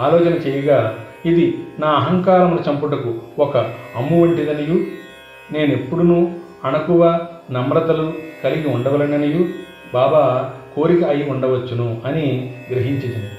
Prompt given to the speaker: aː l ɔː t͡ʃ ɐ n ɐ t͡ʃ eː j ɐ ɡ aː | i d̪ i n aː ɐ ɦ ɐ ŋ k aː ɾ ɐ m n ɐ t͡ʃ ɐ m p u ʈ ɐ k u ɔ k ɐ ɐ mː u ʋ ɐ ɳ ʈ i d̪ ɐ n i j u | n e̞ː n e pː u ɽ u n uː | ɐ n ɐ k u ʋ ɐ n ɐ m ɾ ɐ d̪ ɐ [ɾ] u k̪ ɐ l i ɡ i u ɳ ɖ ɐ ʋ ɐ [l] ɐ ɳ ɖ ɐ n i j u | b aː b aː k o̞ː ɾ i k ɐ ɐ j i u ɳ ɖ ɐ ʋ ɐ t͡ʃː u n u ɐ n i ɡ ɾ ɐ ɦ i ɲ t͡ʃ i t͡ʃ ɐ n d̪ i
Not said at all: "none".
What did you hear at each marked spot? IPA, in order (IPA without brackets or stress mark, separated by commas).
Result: l, l